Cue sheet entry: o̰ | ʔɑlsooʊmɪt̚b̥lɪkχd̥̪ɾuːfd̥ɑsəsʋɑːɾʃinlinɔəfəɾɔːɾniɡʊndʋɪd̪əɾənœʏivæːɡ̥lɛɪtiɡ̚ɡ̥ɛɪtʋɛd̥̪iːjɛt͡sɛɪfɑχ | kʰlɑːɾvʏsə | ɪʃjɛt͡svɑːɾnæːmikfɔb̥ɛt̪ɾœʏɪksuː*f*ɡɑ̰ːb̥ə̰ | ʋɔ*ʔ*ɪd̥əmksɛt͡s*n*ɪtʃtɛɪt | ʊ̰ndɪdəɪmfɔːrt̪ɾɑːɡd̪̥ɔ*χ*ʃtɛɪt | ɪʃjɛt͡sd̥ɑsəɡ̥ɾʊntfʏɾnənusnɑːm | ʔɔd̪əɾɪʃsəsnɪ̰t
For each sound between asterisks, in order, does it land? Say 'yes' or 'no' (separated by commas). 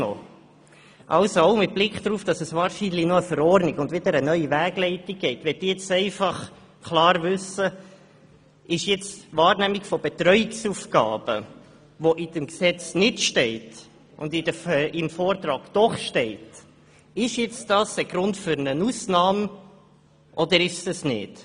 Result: yes, yes, yes, yes